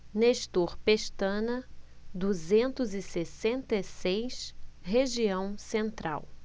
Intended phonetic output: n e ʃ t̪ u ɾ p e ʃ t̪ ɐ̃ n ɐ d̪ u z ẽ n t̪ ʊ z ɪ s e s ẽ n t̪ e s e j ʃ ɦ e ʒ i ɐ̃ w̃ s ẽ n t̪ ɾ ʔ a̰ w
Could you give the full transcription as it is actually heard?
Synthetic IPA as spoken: n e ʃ t̪ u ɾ p e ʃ t̪ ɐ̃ n ɐ d̪ u z ẽ n t̪ ʊ z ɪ s e s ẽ n t̪ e s e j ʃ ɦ e ʒ i ɐ̃ w̃ s ẽ n t̪ ɾ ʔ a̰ w